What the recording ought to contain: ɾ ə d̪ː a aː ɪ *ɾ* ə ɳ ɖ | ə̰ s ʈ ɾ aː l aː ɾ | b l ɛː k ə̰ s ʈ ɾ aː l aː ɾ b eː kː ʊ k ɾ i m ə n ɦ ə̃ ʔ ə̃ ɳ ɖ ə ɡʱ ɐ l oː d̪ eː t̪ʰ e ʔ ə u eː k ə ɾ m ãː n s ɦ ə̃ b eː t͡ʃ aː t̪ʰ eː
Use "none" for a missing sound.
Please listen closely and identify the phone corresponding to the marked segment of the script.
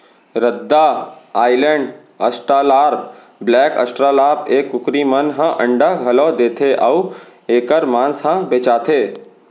l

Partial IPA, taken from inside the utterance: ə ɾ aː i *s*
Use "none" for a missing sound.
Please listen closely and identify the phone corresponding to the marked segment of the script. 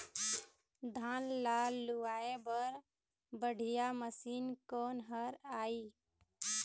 none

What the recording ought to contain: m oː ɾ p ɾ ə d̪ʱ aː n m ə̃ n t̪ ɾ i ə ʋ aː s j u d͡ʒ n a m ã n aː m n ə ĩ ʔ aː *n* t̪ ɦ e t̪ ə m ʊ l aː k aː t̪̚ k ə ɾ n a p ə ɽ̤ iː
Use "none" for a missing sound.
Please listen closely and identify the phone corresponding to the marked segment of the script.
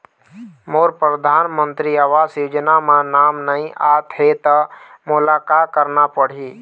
none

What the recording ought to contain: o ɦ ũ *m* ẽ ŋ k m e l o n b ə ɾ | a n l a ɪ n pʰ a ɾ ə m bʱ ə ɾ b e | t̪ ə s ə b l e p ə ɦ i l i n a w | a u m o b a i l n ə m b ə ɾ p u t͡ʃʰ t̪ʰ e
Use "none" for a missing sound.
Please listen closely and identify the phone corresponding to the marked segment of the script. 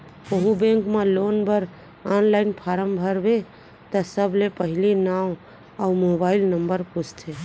b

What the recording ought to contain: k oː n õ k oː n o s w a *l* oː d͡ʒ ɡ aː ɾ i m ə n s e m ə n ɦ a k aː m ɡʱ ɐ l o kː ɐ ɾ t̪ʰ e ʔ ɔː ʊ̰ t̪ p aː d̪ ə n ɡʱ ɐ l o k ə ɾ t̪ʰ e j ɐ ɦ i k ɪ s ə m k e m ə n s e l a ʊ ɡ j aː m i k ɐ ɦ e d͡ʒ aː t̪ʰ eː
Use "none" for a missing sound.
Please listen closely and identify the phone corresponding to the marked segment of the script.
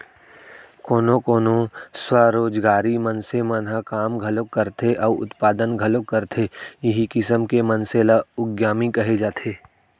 ɾ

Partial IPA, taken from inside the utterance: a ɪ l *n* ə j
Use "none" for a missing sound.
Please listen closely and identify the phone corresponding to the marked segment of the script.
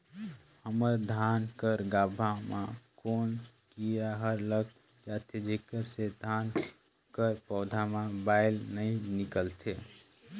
n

